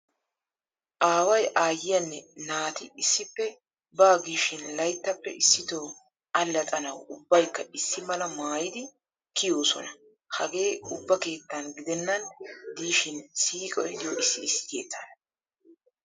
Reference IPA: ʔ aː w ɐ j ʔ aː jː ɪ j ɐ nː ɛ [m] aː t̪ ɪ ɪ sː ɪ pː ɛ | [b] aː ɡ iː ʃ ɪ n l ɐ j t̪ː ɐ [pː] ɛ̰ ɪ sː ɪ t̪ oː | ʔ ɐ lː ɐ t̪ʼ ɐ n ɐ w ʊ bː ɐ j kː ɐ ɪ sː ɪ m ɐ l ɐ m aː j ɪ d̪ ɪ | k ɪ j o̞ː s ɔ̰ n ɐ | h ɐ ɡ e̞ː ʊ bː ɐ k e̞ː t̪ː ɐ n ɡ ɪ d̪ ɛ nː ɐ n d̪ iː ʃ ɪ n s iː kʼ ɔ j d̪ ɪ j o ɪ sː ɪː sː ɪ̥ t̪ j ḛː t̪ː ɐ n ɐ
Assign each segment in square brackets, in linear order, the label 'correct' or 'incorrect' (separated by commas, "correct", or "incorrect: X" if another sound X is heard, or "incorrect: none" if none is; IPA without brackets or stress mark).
incorrect: n, correct, correct